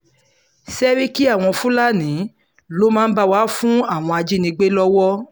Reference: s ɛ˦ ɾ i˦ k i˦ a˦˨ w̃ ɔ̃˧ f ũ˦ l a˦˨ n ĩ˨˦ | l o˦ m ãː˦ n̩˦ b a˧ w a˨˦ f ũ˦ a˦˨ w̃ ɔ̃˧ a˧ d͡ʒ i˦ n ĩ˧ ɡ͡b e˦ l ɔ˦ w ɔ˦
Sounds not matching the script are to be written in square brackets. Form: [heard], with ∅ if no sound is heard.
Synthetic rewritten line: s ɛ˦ ɾ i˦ k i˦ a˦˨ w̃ ɔ̃˧ f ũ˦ l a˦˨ n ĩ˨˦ | l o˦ m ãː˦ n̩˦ b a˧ w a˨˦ f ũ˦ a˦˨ w̃ ɔ̃˧ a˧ d͡ʒ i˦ n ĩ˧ ɡ͡b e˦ l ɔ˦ w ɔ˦